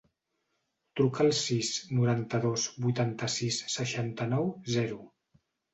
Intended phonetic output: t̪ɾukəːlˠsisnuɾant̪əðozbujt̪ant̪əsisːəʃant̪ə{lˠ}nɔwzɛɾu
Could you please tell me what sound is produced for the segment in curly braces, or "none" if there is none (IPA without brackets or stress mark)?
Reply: none